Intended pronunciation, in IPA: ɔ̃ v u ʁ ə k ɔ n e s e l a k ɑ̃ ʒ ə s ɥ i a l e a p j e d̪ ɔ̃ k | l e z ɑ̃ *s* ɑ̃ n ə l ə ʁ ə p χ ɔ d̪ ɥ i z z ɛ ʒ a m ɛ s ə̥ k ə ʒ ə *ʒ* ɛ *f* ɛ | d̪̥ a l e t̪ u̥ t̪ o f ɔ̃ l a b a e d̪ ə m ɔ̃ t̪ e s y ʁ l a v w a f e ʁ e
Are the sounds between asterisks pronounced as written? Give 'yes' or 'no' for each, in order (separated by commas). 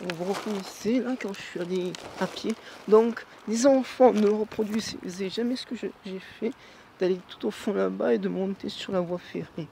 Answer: no, yes, yes